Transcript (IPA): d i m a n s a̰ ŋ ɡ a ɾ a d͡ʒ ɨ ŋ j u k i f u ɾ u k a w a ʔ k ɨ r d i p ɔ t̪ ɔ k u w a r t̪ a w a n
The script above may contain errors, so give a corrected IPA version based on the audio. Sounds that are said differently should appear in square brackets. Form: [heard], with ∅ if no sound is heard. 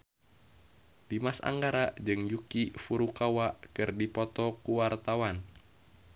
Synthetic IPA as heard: d i m a [∅] s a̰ ŋ ɡ a ɾ a d͡ʒ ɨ ŋ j u k i f u ɾ u k a w a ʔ k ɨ r d i p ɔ t̪ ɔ k u w a r t̪ a w a n